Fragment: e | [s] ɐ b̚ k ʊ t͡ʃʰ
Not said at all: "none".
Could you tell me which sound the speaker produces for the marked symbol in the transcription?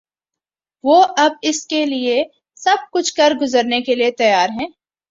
s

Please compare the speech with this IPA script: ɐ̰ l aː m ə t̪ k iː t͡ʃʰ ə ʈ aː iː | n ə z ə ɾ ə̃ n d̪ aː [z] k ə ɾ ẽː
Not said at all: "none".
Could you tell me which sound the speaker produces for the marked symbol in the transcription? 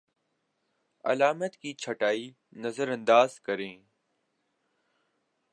z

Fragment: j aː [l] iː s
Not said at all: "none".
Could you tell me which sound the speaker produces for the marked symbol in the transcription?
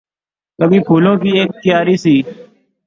ɾ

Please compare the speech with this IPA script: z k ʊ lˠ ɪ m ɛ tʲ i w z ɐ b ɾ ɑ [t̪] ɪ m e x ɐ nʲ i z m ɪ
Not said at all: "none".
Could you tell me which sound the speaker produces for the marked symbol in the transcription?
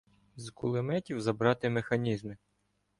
t̪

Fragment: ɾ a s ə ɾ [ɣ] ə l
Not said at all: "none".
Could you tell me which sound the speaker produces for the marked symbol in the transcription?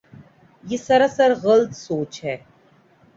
ɣ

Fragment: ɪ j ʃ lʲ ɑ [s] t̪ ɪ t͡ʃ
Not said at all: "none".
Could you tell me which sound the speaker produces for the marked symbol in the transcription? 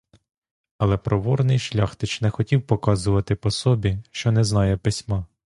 x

